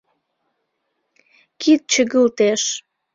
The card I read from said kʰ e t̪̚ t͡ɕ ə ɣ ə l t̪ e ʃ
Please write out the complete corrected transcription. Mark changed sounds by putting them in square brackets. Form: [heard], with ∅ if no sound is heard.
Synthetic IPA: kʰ [i] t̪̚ t͡ɕ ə ɣ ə l t̪ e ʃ